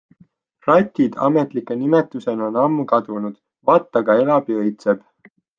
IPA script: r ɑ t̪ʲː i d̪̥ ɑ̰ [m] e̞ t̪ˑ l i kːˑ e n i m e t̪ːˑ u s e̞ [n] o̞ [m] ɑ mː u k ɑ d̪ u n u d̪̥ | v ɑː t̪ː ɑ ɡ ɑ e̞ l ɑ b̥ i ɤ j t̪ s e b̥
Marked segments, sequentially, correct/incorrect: correct, correct, incorrect: n

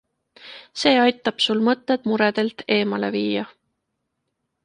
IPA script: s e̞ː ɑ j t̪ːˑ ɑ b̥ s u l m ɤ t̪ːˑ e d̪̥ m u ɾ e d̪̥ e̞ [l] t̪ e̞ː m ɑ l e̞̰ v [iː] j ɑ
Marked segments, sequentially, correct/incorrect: correct, correct

